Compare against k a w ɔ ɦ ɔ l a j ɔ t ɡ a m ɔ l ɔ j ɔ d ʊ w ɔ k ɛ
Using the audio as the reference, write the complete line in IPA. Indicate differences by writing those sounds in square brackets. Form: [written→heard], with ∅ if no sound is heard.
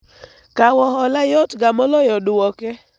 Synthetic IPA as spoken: k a w ɔ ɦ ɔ l a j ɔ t ɡ a m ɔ l ɔ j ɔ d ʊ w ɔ k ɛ

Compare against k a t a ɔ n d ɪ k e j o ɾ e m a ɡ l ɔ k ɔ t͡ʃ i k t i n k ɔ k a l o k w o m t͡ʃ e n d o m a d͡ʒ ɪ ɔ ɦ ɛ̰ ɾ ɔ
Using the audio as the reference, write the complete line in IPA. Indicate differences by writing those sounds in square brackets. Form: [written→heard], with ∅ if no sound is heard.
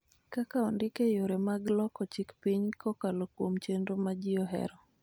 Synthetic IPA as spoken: k a [t→k] a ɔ n d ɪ k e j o ɾ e m a ɡ l ɔ k ɔ t͡ʃ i k [t→p] i [n→ɲ] k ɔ k a l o k w o m t͡ʃ e n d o m a d͡ʒ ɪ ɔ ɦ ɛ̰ ɾ ɔ

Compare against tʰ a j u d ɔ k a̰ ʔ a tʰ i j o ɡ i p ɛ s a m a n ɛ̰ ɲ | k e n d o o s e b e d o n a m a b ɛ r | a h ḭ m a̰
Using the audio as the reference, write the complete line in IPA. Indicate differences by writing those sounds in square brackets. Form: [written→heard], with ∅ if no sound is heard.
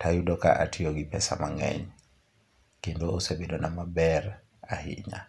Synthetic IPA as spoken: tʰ a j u d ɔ k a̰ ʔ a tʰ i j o ɡ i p ɛ s a m a [n→ŋ] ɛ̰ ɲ | k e n d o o s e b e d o n a m a b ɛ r | a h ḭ [m→ɲ] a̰

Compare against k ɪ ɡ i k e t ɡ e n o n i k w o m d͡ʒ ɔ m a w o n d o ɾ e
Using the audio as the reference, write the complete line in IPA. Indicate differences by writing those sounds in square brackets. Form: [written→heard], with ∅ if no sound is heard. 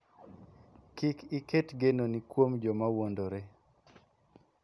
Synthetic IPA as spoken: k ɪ [ɡ→k] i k e t ɡ e n o n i k w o m d͡ʒ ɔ m a w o n d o ɾ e

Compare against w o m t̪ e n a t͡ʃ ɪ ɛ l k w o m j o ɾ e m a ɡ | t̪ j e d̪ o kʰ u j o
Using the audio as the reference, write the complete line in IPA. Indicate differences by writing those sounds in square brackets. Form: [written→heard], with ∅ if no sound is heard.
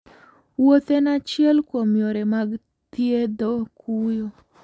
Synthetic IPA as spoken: w o [m→∅] t̪ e n a t͡ʃ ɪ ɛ l k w o m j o ɾ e m a ɡ | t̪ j e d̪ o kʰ u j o

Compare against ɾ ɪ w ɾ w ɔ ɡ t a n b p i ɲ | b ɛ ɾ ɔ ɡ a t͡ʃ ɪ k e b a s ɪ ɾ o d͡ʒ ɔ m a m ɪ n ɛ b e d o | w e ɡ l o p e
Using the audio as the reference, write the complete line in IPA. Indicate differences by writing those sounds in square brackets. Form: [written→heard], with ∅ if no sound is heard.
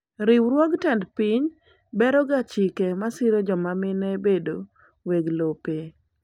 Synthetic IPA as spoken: ɾ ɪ w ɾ w ɔ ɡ t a n [b→d] p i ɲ | b ɛ ɾ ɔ ɡ a t͡ʃ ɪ k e [b→m] a s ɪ ɾ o d͡ʒ ɔ m a m ɪ n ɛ b e d o | w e ɡ l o p e

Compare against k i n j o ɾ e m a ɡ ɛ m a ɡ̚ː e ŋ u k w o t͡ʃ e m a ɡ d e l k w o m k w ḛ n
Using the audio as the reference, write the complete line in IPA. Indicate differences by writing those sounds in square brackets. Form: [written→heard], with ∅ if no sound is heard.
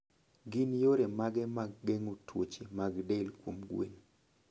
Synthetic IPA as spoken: [k→ɡ] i n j o ɾ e m a ɡ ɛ m a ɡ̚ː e ŋ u [k→t] w o t͡ʃ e m a ɡ d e l k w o m [k→ɡ] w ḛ n

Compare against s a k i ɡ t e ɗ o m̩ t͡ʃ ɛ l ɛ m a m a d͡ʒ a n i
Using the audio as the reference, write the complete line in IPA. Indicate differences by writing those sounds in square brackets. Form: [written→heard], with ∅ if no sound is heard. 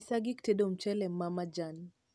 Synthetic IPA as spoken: s a [k→ɡ] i [ɡ→k] t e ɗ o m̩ t͡ʃ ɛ l ɛ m a m a d͡ʒ a n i

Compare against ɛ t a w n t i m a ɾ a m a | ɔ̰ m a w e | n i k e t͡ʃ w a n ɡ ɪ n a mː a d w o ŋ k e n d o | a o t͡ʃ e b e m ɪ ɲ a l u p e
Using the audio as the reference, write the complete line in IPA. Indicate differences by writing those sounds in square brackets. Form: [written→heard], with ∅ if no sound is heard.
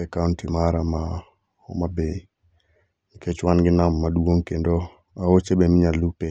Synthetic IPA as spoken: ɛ [t→k] a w n t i m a ɾ a m a | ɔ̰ m a [w→b] e | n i k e t͡ʃ w a n ɡ ɪ n a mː a d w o ŋ k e n d o | a o t͡ʃ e b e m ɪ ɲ a l u p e

